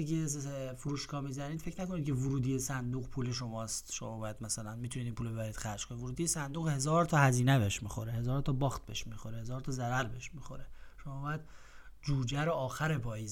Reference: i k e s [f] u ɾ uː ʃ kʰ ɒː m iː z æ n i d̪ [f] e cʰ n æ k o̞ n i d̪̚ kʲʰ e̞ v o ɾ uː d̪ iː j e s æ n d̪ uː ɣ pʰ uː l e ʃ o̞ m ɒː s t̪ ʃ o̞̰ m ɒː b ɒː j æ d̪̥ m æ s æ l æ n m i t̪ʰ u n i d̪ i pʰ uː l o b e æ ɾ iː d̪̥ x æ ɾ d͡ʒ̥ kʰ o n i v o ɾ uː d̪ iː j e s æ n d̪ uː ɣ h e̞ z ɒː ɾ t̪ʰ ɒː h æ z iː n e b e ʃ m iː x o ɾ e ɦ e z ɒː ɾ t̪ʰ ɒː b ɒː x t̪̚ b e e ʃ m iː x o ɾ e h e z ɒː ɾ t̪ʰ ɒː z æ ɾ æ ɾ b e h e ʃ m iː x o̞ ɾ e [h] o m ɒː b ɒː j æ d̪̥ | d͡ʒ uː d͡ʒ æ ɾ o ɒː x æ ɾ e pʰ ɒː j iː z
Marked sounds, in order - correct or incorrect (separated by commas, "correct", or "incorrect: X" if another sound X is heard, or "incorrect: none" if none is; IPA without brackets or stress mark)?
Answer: correct, correct, incorrect: ʃ